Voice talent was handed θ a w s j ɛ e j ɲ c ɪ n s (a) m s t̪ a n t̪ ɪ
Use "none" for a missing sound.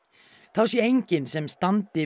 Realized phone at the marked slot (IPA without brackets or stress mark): ɛ